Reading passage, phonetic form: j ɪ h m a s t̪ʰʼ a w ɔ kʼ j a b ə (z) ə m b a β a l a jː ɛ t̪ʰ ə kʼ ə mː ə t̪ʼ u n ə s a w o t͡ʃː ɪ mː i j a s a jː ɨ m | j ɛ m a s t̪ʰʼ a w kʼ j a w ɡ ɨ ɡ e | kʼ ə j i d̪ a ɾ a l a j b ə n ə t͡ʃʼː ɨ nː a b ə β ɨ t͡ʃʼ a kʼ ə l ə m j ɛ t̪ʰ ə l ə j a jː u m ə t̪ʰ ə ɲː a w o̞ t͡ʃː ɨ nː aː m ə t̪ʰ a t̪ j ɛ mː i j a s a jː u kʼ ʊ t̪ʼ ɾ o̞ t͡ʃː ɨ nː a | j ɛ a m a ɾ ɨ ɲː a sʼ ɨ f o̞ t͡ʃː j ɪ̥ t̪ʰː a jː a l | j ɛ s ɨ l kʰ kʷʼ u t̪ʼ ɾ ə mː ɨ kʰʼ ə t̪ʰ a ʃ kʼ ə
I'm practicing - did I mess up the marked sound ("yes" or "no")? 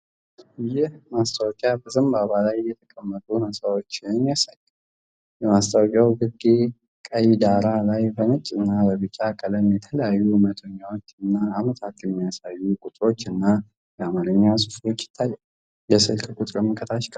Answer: no